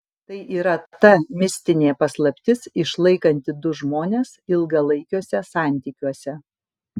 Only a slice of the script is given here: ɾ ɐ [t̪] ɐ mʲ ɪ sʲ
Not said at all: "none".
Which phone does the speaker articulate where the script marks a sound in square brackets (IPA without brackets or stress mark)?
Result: t̪